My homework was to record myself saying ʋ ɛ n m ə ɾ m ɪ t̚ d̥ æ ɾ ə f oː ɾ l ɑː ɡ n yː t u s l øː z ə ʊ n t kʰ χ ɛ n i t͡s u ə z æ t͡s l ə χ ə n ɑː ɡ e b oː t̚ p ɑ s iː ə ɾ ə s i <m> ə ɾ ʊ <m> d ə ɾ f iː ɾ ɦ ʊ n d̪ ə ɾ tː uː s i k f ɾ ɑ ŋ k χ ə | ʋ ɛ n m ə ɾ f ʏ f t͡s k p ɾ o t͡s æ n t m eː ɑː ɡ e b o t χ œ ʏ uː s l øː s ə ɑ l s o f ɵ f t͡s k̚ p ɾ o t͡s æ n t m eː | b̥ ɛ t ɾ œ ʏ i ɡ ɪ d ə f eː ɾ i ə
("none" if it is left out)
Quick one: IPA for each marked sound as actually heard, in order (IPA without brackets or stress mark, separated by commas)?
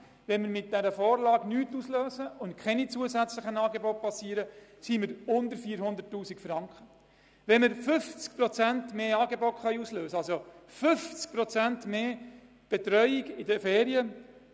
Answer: m, n